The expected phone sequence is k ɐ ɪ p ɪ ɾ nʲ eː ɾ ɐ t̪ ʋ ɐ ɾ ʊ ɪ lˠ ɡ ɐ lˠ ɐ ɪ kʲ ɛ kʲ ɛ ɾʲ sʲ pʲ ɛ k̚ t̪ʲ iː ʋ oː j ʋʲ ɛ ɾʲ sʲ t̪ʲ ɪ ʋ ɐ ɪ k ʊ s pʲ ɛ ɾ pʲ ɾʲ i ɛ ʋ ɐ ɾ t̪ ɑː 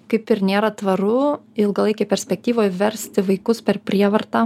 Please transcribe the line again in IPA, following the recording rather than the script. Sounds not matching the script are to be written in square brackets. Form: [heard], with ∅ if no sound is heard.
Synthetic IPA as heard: k ɐ ɪ p ɪ ɾ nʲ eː ɾ ɐ t̪ ʋ ɐ ɾ ʊ ɪ lˠ ɡ ɐ lˠ ɐ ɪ kʲ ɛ [pʲ] ɛ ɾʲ sʲ pʲ ɛ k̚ t̪ʲ iː ʋ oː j ʋʲ ɛ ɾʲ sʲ t̪ʲ ɪ ʋ ɐ ɪ k ʊ s pʲ ɛ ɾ pʲ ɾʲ i ɛ ʋ ɐ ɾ t̪ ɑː